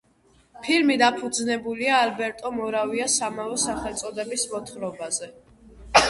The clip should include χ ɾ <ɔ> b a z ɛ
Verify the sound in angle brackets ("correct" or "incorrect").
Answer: correct